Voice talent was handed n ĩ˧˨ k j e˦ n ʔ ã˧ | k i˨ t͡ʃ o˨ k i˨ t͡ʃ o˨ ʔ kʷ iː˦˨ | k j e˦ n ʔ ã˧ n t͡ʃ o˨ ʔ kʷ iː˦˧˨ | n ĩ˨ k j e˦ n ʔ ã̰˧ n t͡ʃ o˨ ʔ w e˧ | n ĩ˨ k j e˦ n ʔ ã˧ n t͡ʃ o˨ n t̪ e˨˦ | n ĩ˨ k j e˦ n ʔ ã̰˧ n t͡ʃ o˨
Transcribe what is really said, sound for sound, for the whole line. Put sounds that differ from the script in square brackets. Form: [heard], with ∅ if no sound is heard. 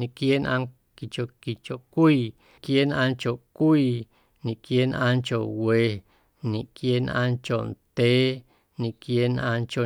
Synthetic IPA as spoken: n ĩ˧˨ k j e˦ n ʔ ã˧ | k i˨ t͡ʃ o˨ k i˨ t͡ʃ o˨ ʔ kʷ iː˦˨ | k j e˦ n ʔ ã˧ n t͡ʃ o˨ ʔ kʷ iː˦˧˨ | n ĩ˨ k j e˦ n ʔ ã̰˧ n t͡ʃ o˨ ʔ w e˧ | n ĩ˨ k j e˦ n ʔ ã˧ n t͡ʃ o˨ n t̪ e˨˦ | n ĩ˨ k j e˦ n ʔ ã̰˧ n t͡ʃ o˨